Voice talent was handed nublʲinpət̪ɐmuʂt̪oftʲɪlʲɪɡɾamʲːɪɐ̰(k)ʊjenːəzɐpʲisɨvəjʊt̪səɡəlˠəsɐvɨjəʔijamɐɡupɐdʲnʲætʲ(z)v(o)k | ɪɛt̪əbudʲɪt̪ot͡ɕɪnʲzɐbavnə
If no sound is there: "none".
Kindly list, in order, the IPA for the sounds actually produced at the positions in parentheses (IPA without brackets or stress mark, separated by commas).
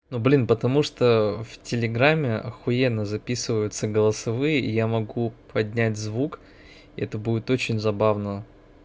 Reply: x, z, u